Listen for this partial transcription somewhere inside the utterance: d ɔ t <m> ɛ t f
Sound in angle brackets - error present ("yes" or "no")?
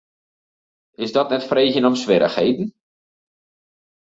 yes